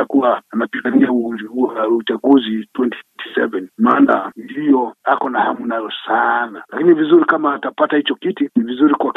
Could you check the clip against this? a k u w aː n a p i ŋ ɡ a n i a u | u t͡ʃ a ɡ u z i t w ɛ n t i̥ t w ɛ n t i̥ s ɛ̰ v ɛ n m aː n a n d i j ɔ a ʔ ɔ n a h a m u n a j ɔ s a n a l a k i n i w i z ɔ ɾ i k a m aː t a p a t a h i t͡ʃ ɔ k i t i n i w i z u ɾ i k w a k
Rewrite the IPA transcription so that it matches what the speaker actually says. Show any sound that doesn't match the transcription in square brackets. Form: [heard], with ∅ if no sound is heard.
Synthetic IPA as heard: a k u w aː n a p i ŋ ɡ a n i a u | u t͡ʃ a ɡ u z i t w ɛ n t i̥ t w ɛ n t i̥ s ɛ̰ v ɛ n m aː n a n d i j ɔ a [k] ɔ n a h a m u n a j ɔ s a n a l a k i n i [v] i z [u] ɾ i k a m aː t a p a t a h i t͡ʃ ɔ k i t i n i [v] i z u ɾ i k w a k